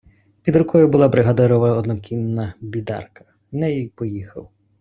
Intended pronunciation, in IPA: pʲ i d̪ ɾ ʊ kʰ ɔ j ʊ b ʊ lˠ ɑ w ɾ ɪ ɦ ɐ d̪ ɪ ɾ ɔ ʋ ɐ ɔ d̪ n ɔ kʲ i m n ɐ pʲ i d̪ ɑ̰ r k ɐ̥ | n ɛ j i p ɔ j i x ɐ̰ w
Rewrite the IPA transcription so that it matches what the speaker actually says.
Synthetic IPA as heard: pʲ i d̪ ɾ ʊ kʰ ɔ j ʊ b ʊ lˠ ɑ b ɾ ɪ ɦ ɐ d̪ ɪ ɾ ɔ ʋ ɐ ɔ d̪ n ɔ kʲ i m n ɐ bʲ i d̪ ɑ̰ r k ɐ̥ | n ɛ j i p ɔ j i x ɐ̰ w